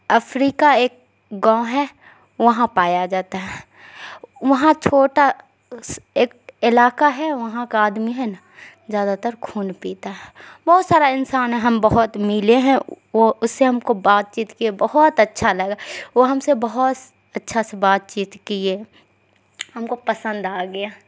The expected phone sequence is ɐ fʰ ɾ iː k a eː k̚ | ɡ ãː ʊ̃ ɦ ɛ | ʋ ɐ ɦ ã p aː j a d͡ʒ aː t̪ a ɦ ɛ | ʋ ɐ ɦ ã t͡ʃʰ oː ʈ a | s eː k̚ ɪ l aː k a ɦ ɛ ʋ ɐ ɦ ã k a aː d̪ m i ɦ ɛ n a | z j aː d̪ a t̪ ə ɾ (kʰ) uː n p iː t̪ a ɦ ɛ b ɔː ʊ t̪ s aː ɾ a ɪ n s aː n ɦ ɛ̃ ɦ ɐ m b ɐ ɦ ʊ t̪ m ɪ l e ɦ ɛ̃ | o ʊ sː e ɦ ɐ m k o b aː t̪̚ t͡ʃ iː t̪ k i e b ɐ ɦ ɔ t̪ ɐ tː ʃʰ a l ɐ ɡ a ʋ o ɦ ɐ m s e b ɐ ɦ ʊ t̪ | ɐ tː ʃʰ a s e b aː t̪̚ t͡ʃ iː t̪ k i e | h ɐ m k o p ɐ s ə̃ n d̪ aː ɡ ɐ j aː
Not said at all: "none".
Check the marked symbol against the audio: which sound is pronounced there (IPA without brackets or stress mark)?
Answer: kʰ